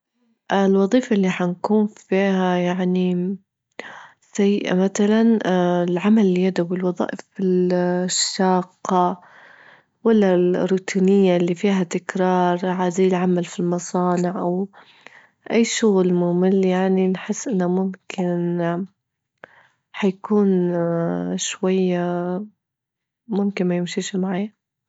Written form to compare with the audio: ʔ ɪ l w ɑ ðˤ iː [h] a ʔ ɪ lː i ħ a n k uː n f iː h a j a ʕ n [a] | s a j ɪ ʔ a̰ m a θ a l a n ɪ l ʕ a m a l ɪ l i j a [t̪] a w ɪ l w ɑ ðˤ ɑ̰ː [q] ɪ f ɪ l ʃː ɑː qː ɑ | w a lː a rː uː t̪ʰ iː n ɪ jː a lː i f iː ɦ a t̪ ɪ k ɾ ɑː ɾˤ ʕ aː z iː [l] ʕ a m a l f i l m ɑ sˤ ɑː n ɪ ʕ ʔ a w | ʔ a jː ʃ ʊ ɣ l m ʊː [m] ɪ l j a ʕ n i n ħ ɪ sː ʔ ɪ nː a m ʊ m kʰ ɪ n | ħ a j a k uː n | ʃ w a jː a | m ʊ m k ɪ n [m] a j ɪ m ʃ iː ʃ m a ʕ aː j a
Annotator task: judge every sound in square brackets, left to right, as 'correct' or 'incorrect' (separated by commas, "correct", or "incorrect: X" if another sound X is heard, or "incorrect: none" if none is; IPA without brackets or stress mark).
incorrect: f, incorrect: i, incorrect: d̪, incorrect: ʔ, correct, correct, correct